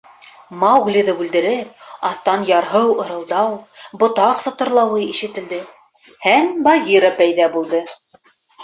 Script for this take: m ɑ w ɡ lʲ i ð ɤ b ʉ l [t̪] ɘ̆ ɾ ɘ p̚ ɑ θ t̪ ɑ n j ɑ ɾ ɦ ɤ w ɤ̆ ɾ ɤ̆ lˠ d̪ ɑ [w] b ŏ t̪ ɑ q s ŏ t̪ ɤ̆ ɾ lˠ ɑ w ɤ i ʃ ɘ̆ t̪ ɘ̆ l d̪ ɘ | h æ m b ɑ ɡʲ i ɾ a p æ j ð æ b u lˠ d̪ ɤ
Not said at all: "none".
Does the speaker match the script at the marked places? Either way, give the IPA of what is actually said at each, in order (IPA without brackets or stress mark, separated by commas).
d̪, w